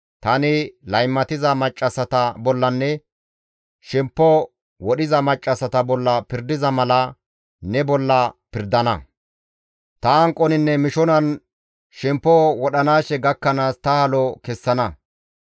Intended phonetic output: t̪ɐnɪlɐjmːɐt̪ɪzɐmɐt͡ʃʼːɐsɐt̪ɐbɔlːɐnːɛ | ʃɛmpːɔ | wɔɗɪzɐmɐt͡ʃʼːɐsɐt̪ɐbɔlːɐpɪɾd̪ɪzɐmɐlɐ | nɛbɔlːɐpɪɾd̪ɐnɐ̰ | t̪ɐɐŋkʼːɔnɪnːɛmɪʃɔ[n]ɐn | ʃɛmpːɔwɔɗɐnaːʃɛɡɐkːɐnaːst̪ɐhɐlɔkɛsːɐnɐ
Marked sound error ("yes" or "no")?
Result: no